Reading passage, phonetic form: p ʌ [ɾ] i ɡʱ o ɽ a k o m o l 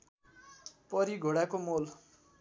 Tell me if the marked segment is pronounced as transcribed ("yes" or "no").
yes